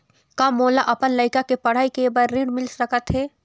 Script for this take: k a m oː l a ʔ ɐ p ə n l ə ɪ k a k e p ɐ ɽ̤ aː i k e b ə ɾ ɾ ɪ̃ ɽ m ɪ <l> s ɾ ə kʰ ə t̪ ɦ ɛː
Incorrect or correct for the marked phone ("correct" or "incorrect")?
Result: correct